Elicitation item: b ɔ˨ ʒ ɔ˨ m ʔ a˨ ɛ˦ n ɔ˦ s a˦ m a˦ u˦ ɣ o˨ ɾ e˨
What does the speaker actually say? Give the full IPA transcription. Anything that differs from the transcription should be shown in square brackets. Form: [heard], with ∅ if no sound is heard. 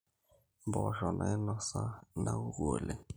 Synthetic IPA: b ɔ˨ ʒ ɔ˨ [n] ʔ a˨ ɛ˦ n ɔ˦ s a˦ [n] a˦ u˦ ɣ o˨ [l] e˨